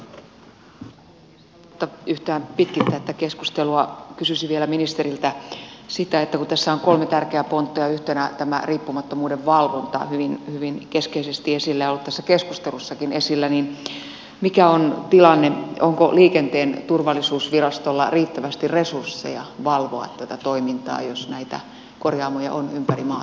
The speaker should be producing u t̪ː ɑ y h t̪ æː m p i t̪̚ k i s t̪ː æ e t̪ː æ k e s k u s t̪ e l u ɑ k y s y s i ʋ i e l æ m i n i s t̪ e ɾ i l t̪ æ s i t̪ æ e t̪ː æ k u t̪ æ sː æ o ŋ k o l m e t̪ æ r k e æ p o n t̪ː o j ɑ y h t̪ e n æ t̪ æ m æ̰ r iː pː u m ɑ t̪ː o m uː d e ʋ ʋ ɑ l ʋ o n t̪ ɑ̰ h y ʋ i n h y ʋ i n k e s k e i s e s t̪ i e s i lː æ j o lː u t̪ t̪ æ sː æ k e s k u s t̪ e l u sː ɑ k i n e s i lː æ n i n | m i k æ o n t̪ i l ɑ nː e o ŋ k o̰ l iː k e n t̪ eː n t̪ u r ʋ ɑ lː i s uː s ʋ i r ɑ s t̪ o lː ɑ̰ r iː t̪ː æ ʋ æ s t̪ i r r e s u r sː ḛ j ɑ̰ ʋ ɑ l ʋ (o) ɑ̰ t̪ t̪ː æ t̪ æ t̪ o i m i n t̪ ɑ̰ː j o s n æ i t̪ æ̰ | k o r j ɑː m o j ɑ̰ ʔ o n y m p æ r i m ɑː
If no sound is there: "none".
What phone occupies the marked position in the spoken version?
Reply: o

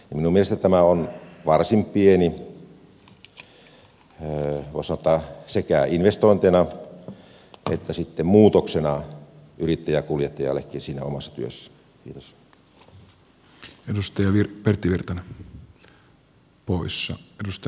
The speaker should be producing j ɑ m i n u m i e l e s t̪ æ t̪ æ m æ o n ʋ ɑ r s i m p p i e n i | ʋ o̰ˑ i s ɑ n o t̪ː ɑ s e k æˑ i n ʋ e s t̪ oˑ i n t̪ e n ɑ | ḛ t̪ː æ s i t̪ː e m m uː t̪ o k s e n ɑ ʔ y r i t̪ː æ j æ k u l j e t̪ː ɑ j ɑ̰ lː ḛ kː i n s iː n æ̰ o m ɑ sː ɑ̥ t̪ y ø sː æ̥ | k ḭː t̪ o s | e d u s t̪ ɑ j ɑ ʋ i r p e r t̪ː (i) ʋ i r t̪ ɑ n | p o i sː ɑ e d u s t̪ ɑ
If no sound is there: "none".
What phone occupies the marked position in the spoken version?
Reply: i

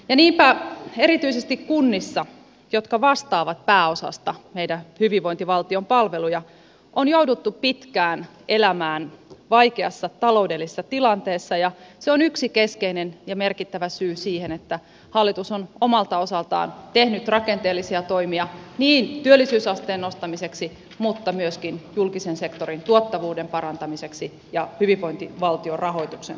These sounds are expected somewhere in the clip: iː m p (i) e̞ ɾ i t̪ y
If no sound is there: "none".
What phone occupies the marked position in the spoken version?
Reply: æ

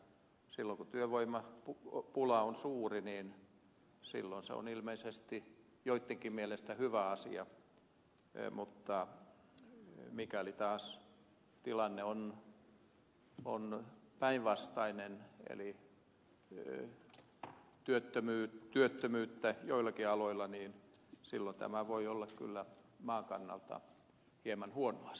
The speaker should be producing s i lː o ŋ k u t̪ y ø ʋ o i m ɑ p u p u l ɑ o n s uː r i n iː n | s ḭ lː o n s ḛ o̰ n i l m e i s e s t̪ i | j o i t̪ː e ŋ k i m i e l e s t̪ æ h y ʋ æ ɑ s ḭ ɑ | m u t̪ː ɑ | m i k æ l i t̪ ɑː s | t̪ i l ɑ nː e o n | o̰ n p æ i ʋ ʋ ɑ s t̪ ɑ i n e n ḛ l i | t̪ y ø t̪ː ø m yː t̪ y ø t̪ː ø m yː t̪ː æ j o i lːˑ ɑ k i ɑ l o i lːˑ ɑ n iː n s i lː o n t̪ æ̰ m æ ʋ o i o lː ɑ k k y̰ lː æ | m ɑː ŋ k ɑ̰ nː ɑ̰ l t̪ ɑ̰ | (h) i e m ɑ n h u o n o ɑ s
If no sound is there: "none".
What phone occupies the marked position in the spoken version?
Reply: h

